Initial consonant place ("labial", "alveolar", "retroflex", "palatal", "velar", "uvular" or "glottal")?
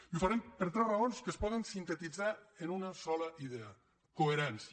labial